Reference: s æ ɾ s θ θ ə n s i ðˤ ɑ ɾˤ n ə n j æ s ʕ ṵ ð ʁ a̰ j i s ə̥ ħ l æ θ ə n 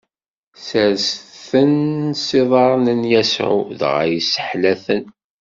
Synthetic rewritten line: s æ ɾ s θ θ ə n s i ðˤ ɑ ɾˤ n ə n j æ s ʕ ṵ ð ʁ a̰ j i s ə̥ ħ l æ θ ə n